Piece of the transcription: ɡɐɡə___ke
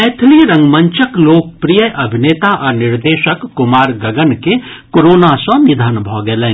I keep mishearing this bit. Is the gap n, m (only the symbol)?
n